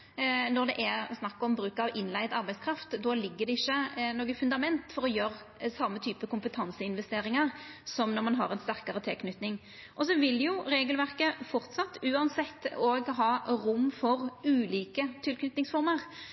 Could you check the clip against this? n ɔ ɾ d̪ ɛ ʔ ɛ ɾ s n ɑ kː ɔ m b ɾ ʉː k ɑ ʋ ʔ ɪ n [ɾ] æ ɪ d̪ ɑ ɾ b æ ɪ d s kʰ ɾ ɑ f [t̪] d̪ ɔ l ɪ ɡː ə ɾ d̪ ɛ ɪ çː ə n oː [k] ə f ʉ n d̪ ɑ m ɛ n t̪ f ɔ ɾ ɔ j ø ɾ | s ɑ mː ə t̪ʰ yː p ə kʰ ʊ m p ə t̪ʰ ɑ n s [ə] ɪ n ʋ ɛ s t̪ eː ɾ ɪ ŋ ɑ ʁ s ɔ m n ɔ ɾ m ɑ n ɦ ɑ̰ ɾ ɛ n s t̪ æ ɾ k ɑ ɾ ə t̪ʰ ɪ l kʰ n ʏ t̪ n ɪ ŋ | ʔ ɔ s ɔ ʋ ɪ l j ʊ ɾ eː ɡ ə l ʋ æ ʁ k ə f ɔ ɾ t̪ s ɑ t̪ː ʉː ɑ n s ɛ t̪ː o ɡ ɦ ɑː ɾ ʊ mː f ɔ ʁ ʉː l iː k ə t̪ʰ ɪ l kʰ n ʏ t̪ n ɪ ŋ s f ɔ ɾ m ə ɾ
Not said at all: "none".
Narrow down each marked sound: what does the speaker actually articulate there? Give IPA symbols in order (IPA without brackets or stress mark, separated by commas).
l, t̪, ɡ, ə